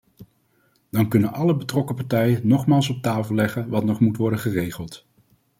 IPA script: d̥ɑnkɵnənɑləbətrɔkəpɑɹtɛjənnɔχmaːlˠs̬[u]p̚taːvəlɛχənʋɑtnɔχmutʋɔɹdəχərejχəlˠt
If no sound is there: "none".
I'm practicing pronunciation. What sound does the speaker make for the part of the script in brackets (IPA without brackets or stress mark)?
ɔ